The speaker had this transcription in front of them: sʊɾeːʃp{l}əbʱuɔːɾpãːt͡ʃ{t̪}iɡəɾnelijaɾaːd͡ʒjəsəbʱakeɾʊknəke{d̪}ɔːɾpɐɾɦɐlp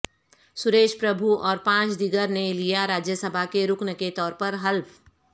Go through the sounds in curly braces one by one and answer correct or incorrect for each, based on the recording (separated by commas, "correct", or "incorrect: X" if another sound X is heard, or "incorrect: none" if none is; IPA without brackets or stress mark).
incorrect: ɾ, incorrect: d̪, incorrect: t̪